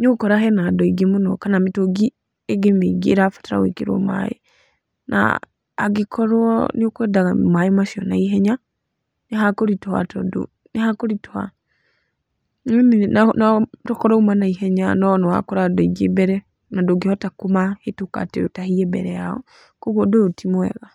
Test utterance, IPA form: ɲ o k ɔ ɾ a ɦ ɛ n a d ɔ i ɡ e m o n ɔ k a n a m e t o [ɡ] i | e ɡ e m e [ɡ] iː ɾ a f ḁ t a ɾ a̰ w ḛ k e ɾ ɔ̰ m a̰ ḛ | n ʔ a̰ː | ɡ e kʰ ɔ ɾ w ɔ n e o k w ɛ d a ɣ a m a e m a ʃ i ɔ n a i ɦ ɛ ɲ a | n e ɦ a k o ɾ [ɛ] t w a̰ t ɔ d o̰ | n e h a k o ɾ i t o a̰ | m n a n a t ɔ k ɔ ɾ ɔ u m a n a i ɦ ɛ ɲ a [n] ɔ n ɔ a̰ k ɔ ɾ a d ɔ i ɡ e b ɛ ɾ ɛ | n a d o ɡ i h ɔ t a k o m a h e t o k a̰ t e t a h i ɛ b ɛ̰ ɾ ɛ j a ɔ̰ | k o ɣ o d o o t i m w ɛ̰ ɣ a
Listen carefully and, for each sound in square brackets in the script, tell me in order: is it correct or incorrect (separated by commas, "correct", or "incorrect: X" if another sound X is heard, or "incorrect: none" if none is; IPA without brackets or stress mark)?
correct, correct, incorrect: i, correct